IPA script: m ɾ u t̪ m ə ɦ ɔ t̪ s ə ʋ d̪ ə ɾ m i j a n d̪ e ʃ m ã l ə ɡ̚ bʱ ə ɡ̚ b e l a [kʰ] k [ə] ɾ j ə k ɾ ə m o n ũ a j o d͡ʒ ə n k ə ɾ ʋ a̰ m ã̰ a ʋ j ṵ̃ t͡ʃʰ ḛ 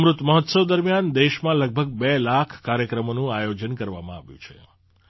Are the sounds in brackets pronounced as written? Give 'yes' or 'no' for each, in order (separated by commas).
yes, no